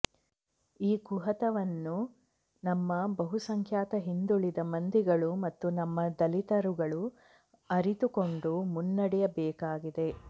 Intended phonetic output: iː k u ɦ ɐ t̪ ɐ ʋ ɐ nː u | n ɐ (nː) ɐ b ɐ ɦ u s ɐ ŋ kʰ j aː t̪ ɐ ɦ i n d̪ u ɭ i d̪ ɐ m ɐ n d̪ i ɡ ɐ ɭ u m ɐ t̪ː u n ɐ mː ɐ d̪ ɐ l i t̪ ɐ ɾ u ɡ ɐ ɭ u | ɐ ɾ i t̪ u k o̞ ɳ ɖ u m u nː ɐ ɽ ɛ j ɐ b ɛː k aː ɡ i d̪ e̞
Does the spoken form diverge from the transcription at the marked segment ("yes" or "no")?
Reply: yes